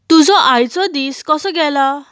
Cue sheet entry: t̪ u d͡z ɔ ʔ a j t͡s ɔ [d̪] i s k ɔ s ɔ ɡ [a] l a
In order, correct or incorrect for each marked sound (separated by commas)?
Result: correct, incorrect